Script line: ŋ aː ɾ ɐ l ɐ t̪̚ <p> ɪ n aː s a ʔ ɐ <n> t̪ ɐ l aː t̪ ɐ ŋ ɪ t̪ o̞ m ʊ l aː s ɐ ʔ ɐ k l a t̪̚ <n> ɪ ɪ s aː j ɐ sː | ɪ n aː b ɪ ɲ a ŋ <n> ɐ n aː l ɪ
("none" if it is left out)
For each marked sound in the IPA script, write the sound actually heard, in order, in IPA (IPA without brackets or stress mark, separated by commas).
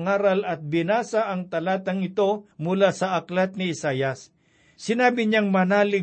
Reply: b, ŋ, n, m